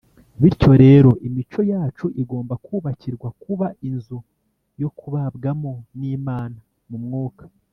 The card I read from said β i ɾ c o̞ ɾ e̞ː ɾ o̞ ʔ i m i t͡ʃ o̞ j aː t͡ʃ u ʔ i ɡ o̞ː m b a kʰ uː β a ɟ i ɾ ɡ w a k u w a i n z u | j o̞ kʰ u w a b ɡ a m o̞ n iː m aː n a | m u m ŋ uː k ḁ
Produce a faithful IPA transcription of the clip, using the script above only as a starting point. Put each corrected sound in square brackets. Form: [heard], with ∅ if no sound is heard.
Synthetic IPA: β i ɾ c o̞ ɾ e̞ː ɾ o̞ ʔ i m i t͡ʃ o̞ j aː t͡ʃ u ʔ i ɡ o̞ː m b a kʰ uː β a [c] i ɾ ɡ w a k u [β] a i n z u | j o̞ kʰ u [β] a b ɡ a m o̞ n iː m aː n a | m u m ŋ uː k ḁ